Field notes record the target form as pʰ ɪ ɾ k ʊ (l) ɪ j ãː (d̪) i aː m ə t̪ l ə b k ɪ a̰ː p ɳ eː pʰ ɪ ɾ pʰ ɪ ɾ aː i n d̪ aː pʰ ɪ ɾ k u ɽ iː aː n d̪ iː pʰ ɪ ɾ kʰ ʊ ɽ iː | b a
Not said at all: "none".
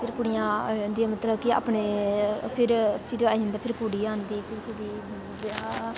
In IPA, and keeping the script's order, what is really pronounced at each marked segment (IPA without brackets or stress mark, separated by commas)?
ɽ, d̪